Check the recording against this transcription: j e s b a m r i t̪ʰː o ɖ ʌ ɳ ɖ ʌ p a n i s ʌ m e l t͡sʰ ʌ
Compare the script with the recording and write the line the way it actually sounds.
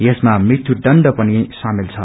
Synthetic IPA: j e s m a m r i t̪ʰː u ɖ ʌ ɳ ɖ ʌ p ʌ n i s a m i l t͡sʰ ʌ